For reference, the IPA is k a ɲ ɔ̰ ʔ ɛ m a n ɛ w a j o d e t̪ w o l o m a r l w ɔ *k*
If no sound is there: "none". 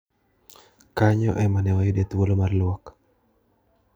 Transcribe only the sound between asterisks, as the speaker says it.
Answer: k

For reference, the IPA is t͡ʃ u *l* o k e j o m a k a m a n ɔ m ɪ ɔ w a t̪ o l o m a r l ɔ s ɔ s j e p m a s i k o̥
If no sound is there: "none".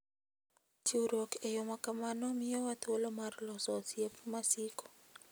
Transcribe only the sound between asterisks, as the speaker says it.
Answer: ɾ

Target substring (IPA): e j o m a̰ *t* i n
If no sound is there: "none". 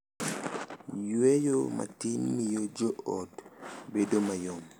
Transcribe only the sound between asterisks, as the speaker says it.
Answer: t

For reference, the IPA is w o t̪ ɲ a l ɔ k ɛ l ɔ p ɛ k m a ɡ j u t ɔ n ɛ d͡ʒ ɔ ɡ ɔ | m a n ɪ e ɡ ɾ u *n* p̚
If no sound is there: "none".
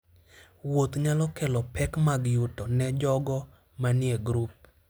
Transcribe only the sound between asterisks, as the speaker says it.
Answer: none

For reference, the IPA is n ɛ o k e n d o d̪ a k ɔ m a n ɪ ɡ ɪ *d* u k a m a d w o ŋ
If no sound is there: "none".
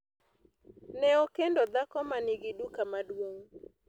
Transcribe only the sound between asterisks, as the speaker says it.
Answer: d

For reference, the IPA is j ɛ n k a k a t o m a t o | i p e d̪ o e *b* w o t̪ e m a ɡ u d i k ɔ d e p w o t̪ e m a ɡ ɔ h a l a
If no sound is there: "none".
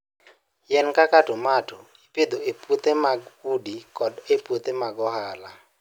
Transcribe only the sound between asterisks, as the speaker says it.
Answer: p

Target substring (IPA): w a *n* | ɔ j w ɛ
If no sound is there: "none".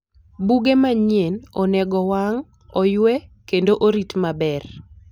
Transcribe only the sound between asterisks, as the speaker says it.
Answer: ŋ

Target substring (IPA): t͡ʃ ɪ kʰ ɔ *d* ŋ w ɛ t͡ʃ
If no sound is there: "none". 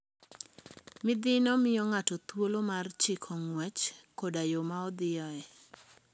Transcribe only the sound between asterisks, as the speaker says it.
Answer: none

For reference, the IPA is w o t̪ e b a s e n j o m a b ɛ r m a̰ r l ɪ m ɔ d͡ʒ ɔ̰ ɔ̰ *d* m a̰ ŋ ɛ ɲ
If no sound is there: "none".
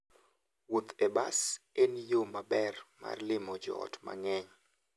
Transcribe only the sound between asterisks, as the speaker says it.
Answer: t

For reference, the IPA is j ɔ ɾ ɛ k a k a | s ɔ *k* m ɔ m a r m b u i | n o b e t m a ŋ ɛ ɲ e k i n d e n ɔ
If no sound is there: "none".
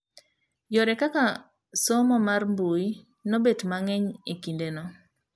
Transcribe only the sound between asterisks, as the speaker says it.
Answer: none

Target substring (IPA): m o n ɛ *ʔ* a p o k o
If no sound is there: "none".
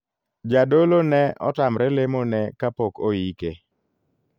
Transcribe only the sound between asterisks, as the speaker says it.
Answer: k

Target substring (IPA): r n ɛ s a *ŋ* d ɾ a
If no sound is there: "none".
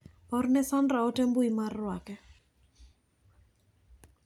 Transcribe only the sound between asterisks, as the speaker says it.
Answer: n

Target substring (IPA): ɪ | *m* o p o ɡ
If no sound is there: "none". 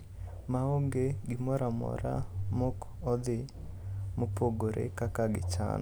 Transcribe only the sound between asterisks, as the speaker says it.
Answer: m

